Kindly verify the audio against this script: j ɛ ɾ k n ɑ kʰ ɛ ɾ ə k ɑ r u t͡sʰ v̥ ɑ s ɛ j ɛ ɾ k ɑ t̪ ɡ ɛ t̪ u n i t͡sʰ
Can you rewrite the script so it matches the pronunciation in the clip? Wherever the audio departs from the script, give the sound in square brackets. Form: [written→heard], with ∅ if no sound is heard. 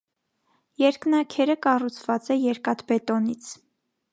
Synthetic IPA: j ɛ ɾ k n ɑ kʰ ɛ ɾ ə k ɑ r u t͡sʰ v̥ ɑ [s→t͡s] ɛ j ɛ ɾ k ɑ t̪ [ɡ→b] ɛ t̪ [u→ɔ] n i t͡sʰ